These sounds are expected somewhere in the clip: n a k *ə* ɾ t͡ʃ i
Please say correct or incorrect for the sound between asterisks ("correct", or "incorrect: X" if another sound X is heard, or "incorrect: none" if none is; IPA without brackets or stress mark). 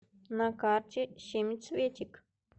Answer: incorrect: a